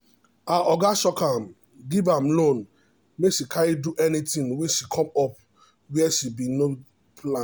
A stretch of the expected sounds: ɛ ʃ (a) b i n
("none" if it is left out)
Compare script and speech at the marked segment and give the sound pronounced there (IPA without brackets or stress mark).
i